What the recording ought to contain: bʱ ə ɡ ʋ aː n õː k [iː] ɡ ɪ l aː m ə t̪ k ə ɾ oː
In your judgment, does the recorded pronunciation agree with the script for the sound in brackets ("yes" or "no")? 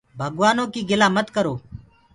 yes